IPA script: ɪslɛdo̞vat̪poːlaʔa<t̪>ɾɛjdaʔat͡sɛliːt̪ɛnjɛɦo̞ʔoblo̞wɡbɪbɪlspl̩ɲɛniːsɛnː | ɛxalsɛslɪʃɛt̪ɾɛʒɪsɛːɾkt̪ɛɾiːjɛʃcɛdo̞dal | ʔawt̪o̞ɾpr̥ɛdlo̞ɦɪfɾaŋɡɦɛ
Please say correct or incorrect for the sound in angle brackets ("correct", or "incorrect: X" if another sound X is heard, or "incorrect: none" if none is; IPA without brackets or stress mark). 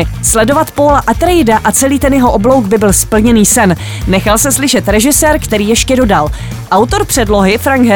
correct